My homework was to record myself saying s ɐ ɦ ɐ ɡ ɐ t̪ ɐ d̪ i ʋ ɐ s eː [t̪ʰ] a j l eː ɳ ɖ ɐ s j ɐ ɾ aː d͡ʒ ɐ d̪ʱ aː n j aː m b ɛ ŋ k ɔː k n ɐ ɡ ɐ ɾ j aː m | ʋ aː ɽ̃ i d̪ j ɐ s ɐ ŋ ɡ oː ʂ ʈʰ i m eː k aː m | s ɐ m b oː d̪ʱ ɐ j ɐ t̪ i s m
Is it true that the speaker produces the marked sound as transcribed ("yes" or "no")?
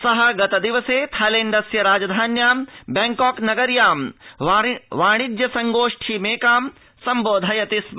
yes